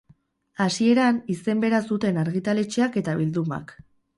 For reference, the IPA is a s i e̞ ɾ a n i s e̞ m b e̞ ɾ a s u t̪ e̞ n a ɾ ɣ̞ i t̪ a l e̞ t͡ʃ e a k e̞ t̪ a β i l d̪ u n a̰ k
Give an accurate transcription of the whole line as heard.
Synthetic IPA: a s i e̞ ɾ a n i s e̞ m b e̞ ɾ a s u t̪ e̞ n a ɾ ɣ̞ i t̪ a l e̞ t͡ʃ e a k e̞ t̪ a β i l d̪ u m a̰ k